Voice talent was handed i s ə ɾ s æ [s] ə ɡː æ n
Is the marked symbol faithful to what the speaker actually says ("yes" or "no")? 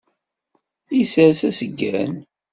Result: yes